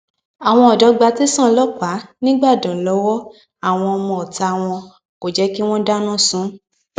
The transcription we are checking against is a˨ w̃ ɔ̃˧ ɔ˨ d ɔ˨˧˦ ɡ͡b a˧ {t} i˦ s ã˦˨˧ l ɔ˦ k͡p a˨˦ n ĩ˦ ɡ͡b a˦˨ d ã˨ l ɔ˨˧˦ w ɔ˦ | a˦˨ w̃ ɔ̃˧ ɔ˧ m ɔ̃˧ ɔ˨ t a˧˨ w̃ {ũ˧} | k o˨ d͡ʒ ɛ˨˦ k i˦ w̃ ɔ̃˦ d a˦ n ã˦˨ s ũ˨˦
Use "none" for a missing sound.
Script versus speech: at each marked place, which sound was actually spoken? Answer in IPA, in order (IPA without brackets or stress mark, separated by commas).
t, ɔ̃˧